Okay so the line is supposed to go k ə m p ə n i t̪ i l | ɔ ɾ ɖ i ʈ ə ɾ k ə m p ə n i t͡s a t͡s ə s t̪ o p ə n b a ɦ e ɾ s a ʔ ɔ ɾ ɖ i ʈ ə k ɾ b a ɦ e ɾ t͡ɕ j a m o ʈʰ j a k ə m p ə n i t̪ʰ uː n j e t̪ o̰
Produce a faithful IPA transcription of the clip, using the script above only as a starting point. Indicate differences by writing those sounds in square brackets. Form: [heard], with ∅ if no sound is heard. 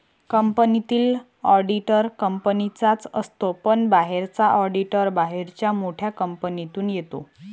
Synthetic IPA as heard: k ə m p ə n i t̪ [iː] l | ɔ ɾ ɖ i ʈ ə ɾ k ə m p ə n i t͡s a t͡s ə s t̪ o p ə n b a ɦ e ɾ [t͡s] a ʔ ɔ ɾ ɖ i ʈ ə [∅] ɾ b a ɦ e ɾ t͡ɕ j a m o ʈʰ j a k ə m p ə n i [t̪] uː n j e t̪ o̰